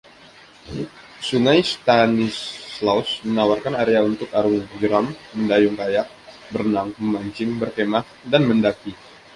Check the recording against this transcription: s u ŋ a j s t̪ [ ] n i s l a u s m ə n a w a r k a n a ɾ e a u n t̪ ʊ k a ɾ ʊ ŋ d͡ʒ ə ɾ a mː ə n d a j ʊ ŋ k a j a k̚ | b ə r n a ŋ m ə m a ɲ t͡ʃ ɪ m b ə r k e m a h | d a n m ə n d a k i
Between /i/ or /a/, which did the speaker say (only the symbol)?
a